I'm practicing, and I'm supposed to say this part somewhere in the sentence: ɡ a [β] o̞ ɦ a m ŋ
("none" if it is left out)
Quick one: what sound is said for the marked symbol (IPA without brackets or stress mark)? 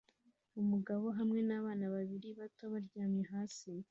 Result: β